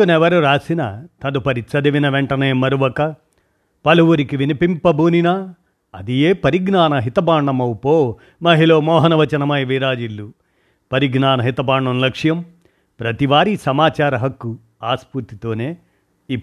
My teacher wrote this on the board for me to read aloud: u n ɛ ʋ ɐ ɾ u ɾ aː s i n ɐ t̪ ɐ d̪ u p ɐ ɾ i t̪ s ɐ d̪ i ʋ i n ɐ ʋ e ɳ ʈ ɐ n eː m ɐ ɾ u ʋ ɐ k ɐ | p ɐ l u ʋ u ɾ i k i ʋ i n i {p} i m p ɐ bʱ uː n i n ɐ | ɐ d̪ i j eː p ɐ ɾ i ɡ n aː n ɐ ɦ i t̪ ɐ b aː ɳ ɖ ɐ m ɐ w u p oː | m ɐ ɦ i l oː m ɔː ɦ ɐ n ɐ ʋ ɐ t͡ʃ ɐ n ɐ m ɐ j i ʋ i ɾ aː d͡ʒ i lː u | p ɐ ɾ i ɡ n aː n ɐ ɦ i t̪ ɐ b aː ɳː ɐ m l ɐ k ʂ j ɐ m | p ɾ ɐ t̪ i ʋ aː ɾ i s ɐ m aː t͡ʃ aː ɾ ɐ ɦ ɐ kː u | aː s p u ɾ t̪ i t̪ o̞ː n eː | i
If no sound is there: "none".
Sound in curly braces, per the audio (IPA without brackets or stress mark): p